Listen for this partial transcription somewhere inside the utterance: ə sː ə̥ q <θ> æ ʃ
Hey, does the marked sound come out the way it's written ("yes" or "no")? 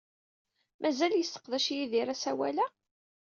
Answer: no